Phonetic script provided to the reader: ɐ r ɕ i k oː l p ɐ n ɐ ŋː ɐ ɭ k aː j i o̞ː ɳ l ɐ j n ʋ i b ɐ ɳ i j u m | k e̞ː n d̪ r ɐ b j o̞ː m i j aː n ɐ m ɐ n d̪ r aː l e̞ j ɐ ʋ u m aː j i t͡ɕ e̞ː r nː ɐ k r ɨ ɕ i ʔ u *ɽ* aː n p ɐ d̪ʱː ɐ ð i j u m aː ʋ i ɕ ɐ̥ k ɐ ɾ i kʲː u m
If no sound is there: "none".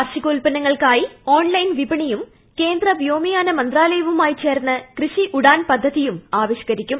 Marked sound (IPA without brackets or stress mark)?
ɽ